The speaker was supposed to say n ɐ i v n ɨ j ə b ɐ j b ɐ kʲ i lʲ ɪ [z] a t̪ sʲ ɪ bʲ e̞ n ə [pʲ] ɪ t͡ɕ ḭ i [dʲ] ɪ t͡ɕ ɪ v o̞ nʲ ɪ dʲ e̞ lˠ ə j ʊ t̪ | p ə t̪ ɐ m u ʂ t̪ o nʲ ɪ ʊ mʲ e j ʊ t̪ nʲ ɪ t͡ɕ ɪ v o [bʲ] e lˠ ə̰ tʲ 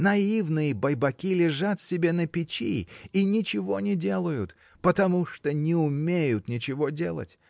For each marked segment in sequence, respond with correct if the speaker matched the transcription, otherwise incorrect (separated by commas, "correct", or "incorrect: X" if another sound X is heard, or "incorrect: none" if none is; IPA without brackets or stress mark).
incorrect: ʐ, correct, incorrect: nʲ, incorrect: dʲ